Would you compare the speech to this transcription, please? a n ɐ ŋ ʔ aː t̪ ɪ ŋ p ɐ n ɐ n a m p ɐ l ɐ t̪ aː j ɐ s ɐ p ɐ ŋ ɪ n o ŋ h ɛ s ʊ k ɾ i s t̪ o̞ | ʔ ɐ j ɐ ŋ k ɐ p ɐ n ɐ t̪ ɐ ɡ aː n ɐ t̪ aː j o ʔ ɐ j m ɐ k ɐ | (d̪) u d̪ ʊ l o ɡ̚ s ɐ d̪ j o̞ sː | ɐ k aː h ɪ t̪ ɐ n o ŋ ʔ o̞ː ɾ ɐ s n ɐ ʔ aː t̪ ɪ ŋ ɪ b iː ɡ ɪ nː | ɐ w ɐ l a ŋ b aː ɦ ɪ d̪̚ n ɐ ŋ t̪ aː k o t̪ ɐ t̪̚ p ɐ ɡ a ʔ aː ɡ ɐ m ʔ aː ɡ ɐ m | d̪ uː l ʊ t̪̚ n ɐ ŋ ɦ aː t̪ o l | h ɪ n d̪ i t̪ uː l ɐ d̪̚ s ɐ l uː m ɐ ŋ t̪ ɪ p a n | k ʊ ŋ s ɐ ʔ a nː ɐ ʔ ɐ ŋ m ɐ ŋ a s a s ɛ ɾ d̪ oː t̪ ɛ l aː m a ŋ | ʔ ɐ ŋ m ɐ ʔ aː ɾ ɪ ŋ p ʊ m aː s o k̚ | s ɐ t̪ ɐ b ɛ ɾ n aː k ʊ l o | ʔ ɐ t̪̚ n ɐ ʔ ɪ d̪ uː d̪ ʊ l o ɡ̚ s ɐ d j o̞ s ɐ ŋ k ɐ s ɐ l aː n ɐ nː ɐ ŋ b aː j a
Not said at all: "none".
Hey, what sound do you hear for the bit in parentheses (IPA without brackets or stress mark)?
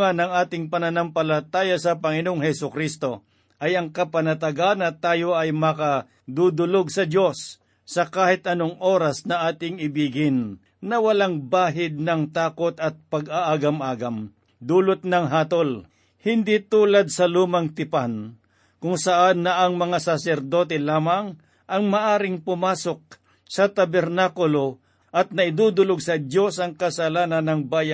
d̪